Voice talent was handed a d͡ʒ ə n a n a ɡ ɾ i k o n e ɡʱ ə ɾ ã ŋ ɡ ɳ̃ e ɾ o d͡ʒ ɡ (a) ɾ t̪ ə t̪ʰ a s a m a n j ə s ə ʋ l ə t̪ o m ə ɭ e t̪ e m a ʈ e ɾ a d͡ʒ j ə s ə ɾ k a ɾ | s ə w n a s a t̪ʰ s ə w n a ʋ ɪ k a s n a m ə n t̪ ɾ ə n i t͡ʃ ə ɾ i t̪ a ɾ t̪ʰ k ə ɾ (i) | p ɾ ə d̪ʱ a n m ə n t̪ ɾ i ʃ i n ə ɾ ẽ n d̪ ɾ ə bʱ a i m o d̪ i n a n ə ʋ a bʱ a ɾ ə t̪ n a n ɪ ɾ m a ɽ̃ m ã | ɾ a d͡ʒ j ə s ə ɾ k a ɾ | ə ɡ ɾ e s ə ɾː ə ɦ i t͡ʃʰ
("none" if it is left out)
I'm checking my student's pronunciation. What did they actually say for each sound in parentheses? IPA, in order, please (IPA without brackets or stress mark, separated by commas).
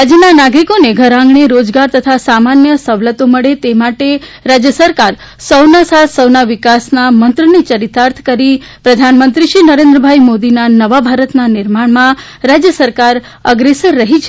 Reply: a, i